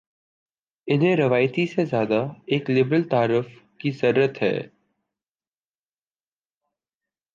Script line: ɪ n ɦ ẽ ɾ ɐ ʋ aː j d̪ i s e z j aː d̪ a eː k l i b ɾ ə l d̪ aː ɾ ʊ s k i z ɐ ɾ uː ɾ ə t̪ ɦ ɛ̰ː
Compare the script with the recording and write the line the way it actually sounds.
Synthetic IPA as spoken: ɪ n ɦ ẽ ɾ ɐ ʋ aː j t̪ i s e z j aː d̪ a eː k l ɪ b ɾ ə l t̪ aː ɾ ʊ f k i z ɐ ɾ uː ɾ ə t̪ ɦ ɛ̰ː